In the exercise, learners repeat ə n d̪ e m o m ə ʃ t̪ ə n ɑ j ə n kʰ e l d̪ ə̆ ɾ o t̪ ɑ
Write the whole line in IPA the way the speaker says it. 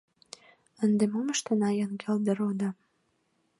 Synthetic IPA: ə n d̪ e m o m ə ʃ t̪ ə n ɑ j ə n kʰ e l d̪ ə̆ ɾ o d̪ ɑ